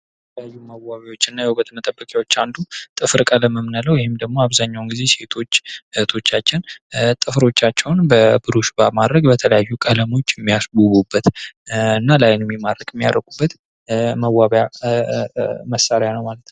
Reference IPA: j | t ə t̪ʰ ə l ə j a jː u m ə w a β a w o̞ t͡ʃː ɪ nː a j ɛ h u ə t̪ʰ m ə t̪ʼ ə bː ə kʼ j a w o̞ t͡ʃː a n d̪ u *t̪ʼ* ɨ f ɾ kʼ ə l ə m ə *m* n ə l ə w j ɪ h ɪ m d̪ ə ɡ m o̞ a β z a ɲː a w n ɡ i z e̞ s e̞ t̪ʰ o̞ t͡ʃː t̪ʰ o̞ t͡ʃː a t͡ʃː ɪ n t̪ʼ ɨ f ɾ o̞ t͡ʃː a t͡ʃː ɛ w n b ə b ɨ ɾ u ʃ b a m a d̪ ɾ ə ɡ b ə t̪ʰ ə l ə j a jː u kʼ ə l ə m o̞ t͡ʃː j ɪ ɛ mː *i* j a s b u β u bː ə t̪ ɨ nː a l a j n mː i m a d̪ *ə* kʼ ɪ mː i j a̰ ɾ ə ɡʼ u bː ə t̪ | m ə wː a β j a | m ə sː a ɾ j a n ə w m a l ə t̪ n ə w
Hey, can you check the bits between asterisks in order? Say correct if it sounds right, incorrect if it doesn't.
correct, correct, correct, correct

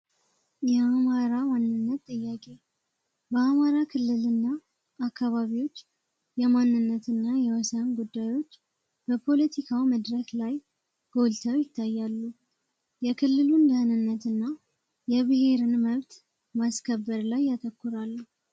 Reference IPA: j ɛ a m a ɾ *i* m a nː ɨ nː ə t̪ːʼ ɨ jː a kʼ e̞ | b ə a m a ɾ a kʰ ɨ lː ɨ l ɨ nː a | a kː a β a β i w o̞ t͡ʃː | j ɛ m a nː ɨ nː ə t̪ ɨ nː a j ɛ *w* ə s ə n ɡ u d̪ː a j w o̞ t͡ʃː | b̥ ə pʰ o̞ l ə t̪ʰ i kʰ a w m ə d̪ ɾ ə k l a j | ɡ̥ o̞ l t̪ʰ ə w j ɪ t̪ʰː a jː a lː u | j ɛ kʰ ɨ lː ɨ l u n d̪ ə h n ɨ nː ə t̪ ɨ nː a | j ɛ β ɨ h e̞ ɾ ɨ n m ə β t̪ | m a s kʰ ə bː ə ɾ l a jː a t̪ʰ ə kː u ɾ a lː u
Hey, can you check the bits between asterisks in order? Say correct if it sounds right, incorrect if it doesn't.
incorrect, correct

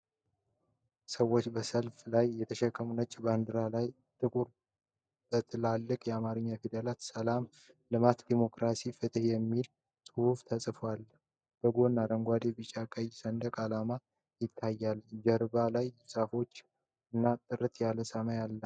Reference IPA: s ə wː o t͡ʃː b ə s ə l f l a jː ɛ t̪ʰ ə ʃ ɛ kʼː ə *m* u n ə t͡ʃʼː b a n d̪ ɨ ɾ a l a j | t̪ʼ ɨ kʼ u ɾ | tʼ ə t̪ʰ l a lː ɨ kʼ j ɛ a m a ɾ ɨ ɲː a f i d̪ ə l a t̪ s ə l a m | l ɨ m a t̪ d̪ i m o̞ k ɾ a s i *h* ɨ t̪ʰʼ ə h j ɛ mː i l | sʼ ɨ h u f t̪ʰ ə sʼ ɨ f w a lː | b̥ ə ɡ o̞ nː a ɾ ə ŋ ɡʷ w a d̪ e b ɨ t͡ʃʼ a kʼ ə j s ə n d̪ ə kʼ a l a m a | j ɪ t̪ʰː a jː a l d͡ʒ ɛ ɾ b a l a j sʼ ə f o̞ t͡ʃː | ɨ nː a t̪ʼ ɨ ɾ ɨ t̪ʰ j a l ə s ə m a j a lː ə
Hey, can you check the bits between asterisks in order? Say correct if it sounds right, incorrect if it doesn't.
correct, incorrect

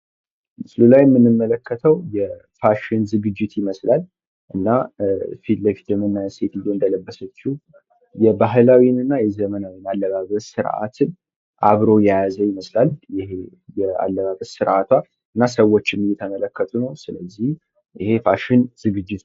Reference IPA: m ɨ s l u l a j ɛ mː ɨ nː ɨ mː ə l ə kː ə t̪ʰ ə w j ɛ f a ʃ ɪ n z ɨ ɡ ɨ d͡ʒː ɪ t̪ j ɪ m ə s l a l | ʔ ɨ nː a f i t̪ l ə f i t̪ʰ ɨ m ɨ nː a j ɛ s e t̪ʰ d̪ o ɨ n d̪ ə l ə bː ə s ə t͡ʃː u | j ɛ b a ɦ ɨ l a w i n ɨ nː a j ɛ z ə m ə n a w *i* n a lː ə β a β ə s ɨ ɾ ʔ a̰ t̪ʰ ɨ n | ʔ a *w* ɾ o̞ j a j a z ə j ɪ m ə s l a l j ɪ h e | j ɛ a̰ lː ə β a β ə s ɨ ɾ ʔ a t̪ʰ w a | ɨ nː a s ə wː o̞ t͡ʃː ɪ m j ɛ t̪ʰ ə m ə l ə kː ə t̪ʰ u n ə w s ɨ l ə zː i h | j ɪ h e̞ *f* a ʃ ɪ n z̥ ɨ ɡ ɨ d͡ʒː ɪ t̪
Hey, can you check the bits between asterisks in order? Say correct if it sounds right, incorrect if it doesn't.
correct, incorrect, correct

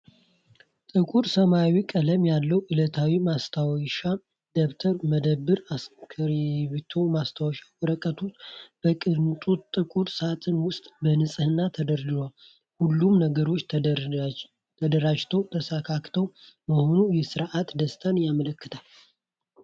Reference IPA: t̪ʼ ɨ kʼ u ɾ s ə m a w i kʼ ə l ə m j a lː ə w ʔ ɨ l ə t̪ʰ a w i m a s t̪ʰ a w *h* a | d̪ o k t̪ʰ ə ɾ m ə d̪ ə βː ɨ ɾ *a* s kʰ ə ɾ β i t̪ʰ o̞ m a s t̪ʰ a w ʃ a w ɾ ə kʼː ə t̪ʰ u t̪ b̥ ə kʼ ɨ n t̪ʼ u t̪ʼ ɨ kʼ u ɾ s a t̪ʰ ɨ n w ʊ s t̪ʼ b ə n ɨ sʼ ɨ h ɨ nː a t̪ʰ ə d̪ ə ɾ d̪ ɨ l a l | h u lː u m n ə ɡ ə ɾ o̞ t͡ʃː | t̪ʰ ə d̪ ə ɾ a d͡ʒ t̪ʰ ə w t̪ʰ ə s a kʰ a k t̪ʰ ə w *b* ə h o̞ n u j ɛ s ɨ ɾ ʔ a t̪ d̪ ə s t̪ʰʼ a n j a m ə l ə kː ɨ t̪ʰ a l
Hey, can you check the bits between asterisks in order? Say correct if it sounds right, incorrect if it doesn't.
incorrect, correct, incorrect

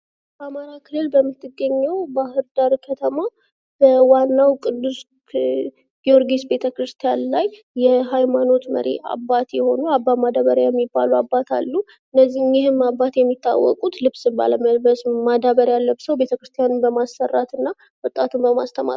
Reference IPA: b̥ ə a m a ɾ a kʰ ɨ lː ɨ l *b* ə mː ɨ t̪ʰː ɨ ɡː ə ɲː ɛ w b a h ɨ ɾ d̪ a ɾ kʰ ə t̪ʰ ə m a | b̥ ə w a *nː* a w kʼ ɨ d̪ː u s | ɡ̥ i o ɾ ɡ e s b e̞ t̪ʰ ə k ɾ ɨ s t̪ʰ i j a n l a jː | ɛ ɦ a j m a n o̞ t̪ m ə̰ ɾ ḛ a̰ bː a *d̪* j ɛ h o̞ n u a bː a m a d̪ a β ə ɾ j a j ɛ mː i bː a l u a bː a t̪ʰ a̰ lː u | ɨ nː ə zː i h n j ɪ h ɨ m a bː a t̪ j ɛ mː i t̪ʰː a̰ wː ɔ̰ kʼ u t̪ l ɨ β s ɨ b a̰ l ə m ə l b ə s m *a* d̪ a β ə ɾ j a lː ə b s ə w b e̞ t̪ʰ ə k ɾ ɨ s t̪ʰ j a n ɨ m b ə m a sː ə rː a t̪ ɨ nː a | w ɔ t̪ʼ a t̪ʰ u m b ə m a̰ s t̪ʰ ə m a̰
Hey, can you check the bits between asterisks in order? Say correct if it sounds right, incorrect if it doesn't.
correct, correct, incorrect, correct

